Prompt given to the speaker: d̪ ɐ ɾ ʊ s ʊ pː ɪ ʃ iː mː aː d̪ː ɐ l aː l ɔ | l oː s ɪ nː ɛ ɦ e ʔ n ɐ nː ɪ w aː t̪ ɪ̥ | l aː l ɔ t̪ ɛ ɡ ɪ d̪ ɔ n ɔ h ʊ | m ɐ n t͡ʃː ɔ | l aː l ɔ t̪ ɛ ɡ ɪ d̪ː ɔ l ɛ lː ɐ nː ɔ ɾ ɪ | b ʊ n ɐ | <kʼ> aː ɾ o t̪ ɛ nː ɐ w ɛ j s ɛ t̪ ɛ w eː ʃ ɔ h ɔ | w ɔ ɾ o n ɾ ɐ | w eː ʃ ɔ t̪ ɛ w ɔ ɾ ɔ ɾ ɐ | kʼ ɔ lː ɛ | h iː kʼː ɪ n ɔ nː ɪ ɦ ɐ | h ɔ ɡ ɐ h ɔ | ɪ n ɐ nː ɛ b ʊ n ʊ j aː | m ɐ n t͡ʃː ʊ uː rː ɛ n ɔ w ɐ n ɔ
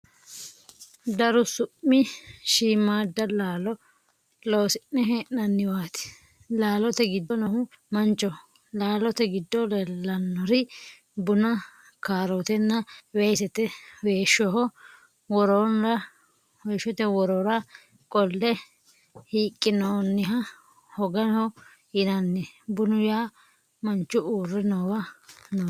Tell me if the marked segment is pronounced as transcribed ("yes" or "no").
no